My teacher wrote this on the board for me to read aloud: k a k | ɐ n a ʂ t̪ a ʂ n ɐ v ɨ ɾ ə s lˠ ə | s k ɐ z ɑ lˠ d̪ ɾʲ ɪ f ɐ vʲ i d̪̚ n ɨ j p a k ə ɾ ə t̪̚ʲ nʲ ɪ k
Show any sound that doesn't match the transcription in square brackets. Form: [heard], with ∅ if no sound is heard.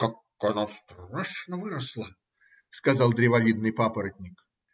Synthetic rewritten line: k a k | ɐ n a [s] t̪ a ʂ n [ə] v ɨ ɾ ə s lˠ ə | s k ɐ z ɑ lˠ d̪ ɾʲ ɪ [v] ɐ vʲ i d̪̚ n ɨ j p a [p] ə ɾ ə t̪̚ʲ nʲ ɪ k